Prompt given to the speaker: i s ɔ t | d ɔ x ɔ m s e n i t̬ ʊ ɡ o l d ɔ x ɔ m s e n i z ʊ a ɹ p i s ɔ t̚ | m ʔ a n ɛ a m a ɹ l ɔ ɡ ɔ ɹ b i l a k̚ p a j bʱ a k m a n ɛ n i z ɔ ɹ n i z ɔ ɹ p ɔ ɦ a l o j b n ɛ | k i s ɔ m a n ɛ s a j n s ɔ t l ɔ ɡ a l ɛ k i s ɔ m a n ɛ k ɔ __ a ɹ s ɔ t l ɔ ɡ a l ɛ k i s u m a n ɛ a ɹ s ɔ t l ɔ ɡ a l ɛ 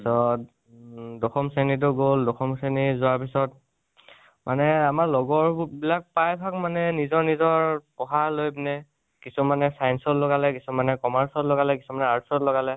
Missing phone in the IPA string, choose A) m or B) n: A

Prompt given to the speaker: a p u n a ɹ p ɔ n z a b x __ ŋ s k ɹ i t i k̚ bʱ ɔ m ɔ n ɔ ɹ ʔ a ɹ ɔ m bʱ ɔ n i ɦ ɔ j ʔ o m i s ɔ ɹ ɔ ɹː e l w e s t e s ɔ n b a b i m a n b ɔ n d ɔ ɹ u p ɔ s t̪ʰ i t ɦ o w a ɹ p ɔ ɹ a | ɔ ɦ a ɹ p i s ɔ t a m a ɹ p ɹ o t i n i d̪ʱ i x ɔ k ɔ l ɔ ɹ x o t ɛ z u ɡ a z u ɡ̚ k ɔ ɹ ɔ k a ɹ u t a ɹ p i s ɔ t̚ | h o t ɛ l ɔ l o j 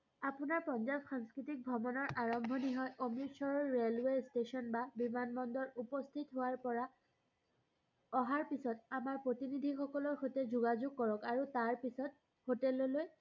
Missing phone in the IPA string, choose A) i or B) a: B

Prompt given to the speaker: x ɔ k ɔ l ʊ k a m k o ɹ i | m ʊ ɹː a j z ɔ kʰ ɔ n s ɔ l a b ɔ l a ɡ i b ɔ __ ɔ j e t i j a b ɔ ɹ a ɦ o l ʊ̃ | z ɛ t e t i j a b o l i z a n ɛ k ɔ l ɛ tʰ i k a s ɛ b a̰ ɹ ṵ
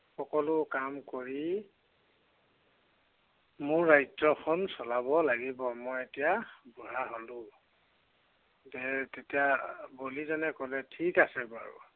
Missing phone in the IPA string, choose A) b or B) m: B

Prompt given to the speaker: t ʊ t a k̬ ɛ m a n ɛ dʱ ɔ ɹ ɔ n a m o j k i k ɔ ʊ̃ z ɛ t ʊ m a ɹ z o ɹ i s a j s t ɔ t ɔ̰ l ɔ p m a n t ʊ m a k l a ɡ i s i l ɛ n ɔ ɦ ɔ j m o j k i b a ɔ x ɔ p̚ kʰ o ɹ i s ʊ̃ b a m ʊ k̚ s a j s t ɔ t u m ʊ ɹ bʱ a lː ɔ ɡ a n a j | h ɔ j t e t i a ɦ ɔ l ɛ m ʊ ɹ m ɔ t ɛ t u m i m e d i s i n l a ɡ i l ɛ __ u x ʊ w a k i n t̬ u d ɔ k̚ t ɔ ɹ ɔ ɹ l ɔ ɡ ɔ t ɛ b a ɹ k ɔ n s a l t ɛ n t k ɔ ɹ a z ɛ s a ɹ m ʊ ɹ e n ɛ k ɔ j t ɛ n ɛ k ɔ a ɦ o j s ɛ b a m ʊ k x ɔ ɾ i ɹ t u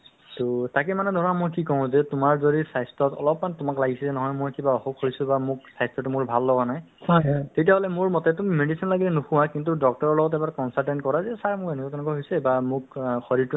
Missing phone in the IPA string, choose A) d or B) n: B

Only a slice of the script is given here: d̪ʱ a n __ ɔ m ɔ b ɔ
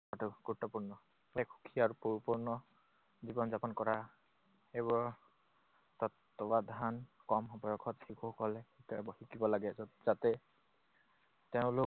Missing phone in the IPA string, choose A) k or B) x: A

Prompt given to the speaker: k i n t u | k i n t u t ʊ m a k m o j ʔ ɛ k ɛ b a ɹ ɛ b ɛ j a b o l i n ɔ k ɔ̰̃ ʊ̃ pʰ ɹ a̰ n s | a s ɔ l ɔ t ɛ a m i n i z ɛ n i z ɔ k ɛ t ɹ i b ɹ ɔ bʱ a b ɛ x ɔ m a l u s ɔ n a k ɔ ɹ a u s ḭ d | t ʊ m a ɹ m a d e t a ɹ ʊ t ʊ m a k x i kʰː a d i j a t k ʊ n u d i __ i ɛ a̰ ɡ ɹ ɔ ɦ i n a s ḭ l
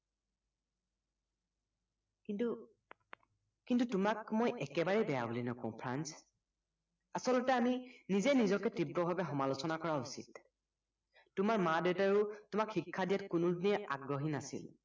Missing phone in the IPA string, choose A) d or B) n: B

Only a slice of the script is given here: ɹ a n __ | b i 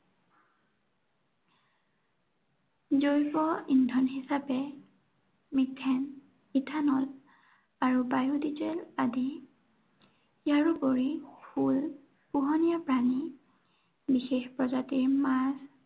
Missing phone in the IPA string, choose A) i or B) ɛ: A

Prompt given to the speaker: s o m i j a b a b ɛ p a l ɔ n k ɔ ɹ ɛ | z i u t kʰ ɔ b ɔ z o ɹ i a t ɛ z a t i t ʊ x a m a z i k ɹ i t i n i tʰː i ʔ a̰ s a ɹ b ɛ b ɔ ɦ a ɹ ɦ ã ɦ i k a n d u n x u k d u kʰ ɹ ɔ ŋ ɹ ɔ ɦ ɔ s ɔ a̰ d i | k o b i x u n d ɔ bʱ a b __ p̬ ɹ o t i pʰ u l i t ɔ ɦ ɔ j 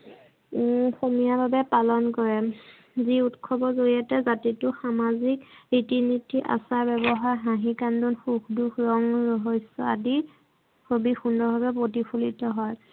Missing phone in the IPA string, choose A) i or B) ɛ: B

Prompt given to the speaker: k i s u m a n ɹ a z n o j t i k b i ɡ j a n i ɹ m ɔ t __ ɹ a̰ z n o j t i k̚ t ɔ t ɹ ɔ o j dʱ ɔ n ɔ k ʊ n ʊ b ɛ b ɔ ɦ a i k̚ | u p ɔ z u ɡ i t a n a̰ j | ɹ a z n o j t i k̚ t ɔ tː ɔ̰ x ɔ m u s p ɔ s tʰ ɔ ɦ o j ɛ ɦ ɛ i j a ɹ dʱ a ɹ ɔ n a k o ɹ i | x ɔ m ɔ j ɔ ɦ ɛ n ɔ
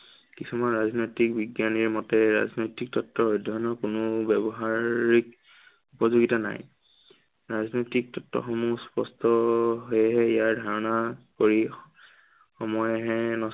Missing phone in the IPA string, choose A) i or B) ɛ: B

